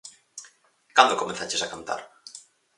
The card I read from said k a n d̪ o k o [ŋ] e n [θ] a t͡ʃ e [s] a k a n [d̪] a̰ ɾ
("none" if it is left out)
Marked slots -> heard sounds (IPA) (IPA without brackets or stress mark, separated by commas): m, θ, s, t̪